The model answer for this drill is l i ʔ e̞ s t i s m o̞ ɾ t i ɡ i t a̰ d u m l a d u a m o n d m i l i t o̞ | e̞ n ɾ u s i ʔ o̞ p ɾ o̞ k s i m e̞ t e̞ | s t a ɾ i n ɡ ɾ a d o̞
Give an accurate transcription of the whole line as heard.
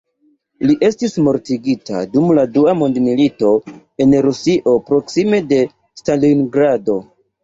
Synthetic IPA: l i ʔ e̞ s t i s m o̞ ɾ t i ɡ i t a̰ d u m l a d u a m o n d m i l i t o̞ | e̞ n ɾ u s i ʔ o̞ p ɾ o̞ k s i m e̞ d e̞ | s t a l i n ɡ ɾ a d o̞